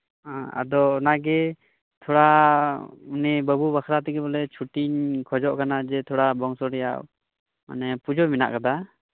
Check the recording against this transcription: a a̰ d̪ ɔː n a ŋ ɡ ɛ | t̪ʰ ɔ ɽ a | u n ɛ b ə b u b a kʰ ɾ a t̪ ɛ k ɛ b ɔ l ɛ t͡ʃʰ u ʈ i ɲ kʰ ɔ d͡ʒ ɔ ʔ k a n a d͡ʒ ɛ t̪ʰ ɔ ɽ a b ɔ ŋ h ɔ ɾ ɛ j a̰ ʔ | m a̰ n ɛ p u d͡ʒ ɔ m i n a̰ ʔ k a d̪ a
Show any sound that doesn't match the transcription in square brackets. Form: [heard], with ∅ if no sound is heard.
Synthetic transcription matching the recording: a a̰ d̪ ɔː n a [∅] ɡ ɛ | t̪ʰ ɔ ɽ a | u n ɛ b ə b u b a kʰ ɾ a t̪ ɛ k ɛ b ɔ l ɛ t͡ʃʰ u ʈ i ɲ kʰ ɔ d͡ʒ ɔ ʔ k a n a d͡ʒ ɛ t̪ʰ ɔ ɽ a b ɔ ŋ [s] ɔ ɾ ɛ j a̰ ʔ | m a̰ n ɛ p u d͡ʒ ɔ m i n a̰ ʔ k a d̪ a